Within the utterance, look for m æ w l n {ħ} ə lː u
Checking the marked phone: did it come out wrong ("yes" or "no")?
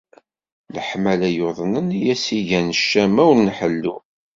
no